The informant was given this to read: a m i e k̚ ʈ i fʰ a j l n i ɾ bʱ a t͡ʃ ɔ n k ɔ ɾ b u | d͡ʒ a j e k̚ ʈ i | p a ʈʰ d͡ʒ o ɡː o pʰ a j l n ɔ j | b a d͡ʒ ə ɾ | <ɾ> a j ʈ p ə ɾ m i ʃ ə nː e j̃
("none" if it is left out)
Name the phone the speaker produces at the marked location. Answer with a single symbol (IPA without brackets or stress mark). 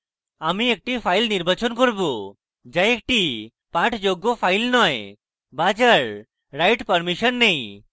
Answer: ɾ